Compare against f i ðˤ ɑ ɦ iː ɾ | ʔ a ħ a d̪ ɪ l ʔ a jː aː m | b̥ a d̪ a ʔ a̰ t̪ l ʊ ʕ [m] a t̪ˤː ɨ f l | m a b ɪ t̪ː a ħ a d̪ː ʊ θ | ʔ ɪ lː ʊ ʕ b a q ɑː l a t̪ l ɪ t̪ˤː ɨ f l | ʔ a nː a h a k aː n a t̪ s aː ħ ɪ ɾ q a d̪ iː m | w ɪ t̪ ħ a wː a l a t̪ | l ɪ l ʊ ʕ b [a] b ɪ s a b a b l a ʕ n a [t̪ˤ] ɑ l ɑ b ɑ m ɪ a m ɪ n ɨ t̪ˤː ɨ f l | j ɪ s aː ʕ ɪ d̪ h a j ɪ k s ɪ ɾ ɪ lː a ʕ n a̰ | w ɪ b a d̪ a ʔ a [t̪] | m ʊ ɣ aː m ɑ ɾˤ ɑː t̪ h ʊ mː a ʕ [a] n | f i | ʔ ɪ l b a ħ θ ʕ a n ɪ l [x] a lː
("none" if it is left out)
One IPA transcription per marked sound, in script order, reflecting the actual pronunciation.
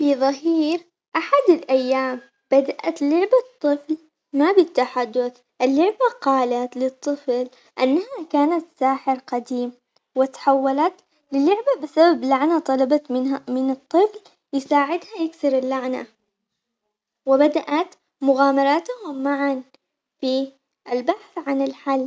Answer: b, a, t̪ˤ, t̪, a, ħ

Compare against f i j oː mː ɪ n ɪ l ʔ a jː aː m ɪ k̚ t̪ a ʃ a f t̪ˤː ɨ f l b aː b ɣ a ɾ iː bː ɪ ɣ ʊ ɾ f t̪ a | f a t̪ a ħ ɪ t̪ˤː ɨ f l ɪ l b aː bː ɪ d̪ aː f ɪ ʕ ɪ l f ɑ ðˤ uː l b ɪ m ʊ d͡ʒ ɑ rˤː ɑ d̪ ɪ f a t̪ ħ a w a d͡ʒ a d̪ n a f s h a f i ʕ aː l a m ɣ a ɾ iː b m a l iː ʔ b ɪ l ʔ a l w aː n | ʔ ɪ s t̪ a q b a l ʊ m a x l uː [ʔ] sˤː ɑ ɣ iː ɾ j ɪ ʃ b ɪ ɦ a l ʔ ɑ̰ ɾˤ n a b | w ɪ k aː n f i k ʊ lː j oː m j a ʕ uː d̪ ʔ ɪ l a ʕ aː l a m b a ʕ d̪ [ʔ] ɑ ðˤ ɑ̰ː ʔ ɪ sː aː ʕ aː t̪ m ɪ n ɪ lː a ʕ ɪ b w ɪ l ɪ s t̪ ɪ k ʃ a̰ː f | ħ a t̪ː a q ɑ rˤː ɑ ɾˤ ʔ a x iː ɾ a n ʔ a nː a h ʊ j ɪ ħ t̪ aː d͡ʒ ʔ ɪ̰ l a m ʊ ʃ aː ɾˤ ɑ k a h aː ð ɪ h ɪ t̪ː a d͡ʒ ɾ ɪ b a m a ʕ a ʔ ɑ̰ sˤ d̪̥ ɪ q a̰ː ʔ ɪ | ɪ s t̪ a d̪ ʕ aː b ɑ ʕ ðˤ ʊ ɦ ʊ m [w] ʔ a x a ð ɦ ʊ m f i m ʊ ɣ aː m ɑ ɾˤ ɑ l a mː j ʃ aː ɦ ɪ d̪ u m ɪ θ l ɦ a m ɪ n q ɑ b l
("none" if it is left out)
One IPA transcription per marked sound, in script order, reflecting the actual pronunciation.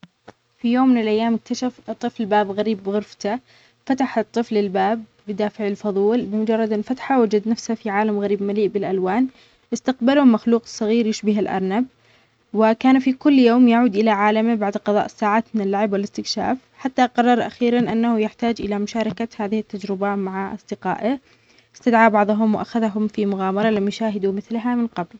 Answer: q, q, w

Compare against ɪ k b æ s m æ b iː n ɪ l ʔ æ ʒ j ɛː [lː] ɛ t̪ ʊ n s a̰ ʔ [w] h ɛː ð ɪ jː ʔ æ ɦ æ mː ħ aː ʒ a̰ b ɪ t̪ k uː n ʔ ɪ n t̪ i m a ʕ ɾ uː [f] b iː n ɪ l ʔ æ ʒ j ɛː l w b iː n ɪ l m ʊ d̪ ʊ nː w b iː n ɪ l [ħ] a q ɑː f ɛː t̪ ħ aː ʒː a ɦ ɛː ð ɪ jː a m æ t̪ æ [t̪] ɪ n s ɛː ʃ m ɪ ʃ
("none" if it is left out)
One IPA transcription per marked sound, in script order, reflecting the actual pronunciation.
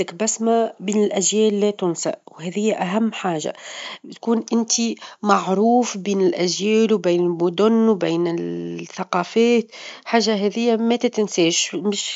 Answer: lː, w, f, θ, t̪

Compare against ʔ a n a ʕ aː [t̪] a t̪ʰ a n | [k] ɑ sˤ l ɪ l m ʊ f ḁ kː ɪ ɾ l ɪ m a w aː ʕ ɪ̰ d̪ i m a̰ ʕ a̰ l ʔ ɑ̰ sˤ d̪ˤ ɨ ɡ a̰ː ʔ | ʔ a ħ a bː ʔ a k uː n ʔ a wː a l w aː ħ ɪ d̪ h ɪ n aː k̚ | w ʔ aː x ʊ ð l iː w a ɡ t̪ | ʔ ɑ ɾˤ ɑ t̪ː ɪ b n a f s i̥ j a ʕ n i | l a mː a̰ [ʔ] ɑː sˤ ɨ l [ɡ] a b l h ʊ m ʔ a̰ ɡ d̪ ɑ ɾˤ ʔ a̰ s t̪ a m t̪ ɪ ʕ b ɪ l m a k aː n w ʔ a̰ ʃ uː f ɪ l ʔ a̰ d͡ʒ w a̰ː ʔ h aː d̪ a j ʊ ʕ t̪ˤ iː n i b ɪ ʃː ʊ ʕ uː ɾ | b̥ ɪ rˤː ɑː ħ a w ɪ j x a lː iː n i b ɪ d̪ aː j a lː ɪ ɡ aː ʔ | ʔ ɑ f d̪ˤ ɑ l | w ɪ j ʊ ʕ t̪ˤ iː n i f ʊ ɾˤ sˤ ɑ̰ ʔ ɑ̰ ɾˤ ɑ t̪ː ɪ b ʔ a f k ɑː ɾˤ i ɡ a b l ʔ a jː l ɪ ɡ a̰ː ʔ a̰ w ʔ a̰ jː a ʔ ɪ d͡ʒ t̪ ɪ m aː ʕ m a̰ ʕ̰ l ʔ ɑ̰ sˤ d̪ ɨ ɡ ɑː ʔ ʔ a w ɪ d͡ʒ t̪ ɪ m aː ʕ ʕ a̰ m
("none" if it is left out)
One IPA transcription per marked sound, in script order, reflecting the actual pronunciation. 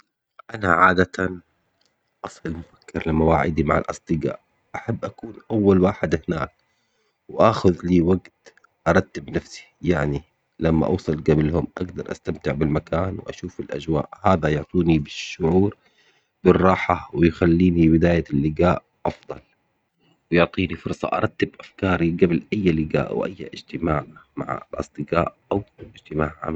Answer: d̪, ʔ, ʔ, ɡ

